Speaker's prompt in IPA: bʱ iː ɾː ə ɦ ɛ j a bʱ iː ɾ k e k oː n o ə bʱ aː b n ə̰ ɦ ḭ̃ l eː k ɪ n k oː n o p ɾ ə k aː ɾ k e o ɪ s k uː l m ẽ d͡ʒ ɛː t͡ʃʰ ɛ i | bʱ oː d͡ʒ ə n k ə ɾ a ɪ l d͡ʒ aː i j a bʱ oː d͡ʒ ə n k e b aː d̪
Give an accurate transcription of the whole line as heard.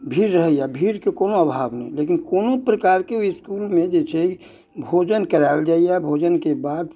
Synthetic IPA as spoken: bʱ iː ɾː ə ɦ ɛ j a bʱ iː ɾ k e k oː n o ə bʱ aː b n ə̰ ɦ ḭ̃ l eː k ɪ n k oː n o p ɾ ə k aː ɾ k e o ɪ s k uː l m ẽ d͡ʒ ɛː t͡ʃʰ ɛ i | bʱ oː d͡ʒ ə n k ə ɾ a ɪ l d͡ʒ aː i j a bʱ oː d͡ʒ ə n k e b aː d̪